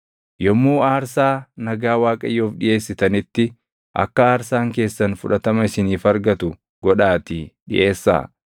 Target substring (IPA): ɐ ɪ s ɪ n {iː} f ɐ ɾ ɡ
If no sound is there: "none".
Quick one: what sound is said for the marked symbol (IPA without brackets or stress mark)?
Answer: iː